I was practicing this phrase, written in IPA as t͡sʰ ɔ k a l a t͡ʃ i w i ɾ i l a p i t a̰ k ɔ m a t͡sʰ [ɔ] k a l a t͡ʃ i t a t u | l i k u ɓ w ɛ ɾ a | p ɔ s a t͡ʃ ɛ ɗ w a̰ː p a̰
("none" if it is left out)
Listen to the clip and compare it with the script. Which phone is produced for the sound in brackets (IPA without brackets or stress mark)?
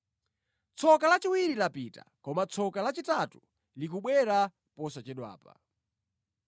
ɔ